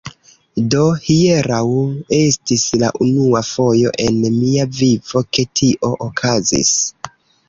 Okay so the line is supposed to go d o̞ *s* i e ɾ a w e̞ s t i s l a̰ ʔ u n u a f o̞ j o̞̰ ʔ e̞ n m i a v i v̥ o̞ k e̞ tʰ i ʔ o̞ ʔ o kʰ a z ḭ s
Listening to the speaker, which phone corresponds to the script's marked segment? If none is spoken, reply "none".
h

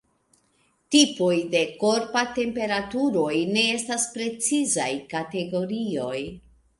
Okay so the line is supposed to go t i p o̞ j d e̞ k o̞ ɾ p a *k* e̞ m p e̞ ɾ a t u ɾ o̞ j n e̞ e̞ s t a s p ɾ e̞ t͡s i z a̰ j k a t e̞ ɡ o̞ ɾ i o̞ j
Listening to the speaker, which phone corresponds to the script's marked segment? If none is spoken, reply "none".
t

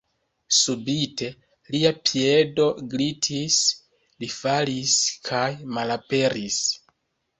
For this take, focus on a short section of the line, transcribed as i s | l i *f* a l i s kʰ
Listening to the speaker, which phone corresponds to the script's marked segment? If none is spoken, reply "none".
f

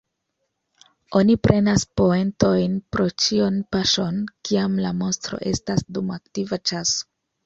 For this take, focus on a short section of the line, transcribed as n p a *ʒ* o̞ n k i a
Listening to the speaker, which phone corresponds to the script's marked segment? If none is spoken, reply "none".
ʃ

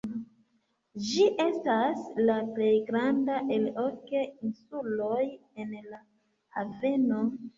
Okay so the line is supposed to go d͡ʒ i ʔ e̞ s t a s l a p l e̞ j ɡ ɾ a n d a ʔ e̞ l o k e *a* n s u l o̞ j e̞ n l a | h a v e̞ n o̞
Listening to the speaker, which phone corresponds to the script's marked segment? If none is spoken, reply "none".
i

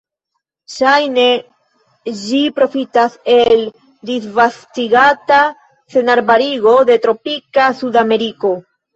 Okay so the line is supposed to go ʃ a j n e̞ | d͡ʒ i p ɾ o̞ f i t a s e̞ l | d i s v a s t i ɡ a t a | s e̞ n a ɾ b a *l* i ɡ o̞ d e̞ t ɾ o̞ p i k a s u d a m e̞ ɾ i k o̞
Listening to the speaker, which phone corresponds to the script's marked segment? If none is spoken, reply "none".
ɾ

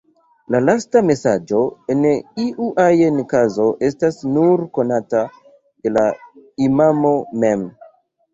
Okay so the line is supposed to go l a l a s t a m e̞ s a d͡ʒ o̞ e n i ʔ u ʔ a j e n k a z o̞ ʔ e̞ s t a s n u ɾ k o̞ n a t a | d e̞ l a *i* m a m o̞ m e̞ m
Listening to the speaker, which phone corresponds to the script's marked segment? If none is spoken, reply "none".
i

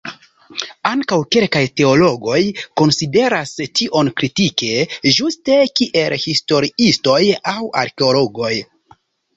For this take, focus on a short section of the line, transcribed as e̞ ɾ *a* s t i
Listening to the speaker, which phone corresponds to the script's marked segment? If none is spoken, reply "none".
a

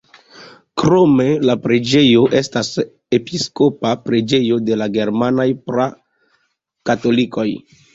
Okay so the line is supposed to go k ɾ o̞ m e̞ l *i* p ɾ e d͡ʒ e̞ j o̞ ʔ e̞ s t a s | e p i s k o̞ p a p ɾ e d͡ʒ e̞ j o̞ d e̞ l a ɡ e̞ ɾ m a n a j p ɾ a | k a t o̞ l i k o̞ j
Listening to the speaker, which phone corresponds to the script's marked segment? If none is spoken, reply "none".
a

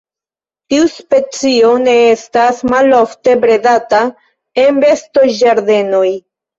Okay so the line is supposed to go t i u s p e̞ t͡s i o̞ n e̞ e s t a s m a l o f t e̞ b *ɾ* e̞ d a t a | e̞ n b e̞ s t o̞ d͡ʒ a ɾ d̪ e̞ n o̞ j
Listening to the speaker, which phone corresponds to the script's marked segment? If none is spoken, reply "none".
ɾ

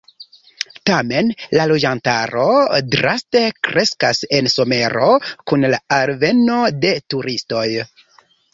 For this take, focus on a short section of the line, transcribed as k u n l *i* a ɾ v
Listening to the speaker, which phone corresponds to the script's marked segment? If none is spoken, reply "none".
a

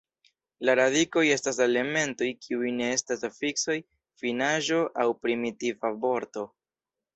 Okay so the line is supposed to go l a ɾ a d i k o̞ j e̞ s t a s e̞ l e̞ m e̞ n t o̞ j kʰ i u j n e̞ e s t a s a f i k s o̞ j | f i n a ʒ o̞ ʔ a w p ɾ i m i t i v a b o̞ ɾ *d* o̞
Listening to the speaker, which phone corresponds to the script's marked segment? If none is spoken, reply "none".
t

